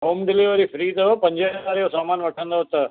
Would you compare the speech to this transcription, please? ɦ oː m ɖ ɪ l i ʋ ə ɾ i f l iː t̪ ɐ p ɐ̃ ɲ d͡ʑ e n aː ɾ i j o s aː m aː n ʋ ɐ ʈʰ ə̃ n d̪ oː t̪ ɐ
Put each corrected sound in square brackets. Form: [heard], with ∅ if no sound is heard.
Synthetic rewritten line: ɦ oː m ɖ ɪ l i ʋ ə ɾ i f [ɾ] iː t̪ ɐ p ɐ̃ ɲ d͡ʑ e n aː ɾ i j o s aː m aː n ʋ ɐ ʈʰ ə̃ n d̪ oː t̪ ɐ